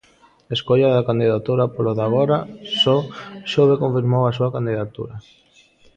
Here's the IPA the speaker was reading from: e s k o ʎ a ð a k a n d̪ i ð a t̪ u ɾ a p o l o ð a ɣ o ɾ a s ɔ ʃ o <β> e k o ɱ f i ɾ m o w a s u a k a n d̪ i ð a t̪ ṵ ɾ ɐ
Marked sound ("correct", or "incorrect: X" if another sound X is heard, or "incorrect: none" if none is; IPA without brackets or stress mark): correct